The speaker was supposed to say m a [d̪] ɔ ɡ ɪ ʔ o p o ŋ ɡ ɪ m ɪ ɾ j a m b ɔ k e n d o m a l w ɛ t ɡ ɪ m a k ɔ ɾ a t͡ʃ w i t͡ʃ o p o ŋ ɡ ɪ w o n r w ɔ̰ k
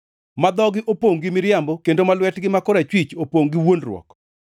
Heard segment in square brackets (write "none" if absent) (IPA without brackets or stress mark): d̪